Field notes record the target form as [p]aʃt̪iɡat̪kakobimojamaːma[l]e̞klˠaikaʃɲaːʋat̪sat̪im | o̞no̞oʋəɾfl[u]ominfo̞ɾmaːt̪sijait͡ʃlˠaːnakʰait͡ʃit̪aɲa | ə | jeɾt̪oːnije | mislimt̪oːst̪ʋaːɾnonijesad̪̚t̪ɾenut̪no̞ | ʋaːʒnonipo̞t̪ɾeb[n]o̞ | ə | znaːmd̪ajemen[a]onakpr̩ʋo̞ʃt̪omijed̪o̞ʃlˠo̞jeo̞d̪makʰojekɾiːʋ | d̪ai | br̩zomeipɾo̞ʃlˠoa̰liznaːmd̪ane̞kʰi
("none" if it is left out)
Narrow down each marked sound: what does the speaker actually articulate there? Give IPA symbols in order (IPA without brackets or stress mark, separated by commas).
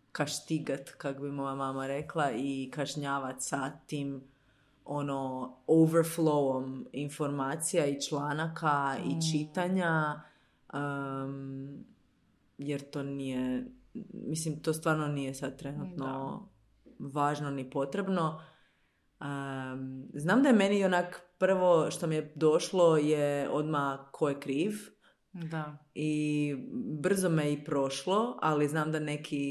k, ɾ, o, n, i